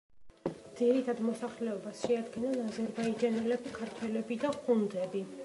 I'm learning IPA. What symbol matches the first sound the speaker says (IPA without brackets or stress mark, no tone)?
d̪